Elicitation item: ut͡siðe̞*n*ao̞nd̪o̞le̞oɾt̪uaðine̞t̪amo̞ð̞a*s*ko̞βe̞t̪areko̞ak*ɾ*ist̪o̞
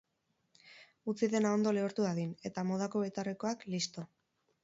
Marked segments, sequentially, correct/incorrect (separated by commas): correct, incorrect, incorrect